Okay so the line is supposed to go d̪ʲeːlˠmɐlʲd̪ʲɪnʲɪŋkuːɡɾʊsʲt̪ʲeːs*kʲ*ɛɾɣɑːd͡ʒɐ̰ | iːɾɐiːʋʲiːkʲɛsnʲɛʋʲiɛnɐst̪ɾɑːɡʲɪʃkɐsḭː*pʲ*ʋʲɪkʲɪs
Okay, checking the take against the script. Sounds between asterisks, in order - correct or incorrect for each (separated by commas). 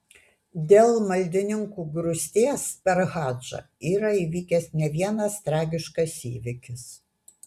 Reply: incorrect, incorrect